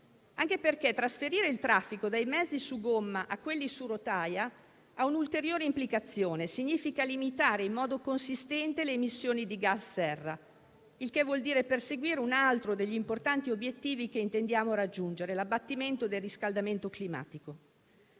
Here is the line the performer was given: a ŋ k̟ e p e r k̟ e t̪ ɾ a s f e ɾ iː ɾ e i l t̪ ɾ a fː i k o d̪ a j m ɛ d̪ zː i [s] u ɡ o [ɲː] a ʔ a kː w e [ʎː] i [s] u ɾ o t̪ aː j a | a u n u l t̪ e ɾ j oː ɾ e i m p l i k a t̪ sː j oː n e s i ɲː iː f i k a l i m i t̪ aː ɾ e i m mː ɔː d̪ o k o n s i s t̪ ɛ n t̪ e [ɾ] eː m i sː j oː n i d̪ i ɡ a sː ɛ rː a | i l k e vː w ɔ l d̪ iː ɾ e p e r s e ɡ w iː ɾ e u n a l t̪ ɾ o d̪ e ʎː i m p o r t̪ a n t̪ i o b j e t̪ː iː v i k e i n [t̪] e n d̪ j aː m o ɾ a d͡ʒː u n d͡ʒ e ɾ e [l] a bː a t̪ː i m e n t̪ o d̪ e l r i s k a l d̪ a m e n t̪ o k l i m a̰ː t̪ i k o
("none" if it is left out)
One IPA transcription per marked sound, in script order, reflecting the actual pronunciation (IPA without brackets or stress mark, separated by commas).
s, mː, lː, s, l, t̪, l